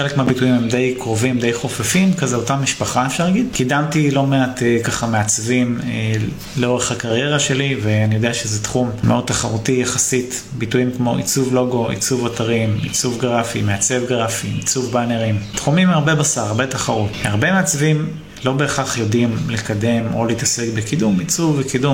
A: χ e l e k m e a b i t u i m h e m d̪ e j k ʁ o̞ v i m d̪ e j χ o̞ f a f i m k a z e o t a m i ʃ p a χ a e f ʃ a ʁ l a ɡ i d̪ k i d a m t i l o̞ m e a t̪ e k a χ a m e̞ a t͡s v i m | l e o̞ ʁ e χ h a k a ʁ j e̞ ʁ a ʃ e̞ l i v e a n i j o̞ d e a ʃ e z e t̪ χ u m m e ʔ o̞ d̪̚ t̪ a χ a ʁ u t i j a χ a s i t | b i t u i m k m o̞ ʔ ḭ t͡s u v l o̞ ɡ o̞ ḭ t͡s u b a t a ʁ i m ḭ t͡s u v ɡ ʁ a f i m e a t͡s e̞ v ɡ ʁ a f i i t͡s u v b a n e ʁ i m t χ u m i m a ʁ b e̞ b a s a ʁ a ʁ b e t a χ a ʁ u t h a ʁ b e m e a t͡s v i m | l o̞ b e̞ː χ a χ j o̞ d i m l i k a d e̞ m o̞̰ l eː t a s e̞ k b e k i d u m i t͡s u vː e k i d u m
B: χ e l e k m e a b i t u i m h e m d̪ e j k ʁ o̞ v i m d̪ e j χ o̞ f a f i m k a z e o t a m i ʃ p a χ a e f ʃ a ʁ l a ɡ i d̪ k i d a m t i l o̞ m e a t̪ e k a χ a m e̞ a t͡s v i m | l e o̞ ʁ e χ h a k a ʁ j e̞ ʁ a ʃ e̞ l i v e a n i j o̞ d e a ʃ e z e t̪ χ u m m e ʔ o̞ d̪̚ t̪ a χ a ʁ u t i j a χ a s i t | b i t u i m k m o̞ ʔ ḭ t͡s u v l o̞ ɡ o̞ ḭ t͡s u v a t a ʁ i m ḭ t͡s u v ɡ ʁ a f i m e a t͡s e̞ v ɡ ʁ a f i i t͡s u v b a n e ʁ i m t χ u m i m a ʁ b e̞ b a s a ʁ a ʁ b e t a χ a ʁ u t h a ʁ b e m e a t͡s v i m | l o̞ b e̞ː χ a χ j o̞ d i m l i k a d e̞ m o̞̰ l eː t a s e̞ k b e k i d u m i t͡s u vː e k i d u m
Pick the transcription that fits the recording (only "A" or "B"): B